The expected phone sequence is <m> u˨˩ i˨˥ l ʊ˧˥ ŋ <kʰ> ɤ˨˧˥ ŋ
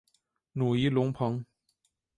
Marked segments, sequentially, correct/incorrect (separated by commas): incorrect, incorrect